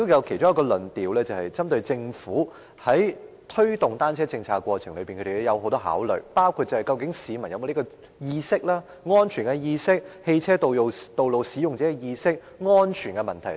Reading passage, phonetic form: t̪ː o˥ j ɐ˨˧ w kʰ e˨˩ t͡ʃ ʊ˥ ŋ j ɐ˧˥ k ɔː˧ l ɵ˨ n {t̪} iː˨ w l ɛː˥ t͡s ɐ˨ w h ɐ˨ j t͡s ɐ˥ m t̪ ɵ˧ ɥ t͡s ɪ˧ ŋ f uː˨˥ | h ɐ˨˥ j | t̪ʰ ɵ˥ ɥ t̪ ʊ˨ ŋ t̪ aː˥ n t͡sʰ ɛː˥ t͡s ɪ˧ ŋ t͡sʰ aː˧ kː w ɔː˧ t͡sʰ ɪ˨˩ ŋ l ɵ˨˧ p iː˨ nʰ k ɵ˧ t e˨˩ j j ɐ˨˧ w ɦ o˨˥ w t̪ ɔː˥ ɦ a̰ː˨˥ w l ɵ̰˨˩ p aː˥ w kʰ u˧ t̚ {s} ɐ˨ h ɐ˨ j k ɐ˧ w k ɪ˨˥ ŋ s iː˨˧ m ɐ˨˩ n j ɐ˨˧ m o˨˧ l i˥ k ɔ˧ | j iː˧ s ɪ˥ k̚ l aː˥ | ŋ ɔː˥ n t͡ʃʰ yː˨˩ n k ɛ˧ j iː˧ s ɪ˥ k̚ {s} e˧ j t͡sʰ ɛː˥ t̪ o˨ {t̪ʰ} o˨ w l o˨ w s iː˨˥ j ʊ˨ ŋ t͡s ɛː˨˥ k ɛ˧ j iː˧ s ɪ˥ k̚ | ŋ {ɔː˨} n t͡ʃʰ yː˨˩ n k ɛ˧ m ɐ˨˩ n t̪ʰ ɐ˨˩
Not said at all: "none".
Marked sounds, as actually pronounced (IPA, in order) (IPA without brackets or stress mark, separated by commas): t̪, t͡s, h, t̪, ɔː˥